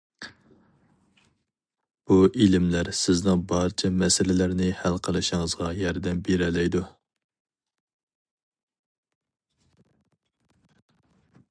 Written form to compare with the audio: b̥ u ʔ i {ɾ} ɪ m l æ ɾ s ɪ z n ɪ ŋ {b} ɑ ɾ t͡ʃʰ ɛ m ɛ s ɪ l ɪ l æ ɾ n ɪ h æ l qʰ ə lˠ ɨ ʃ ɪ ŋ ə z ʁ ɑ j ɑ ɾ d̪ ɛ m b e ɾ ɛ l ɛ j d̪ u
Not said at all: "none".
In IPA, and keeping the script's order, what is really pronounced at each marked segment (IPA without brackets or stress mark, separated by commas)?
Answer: l, b